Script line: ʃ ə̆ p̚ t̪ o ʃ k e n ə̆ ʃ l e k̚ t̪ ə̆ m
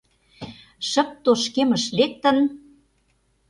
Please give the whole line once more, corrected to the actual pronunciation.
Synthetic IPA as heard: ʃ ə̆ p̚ t̪ o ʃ k e m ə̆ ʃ l e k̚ t̪ ə̆ n